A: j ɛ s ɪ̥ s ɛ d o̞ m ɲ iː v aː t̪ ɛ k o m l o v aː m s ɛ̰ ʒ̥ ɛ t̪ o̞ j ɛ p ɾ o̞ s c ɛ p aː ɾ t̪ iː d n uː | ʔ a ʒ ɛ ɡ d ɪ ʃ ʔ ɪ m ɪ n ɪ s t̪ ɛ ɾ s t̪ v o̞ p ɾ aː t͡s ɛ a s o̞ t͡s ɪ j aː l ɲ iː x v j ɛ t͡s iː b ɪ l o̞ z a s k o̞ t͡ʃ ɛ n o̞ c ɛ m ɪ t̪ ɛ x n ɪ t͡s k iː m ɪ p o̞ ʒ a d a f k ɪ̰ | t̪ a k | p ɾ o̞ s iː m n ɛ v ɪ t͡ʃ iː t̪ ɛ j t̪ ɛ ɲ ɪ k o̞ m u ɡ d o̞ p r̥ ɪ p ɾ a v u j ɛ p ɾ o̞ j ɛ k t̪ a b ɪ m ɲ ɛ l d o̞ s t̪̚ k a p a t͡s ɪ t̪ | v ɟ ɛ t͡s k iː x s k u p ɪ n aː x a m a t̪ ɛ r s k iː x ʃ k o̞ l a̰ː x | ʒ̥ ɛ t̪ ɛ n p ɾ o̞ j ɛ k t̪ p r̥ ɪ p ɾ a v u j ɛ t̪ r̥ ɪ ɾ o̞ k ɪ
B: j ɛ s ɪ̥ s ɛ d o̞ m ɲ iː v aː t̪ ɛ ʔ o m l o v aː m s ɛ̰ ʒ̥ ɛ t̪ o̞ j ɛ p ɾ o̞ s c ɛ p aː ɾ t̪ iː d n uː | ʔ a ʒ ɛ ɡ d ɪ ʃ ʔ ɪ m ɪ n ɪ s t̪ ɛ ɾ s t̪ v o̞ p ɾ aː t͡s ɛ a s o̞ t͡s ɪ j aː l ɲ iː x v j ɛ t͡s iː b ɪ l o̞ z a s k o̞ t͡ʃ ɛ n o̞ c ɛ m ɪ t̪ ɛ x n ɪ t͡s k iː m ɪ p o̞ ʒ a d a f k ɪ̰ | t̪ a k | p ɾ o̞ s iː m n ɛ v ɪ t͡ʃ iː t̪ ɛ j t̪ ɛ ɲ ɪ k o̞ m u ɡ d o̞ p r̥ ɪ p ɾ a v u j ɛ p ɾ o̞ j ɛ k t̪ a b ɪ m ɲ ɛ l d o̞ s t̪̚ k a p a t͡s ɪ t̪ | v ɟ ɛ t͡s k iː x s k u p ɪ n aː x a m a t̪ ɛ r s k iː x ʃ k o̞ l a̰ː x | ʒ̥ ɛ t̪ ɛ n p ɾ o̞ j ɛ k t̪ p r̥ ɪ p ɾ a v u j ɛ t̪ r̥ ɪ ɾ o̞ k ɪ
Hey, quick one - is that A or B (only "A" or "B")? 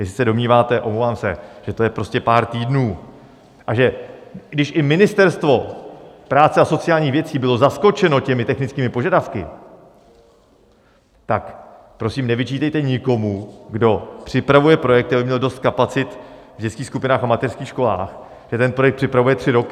B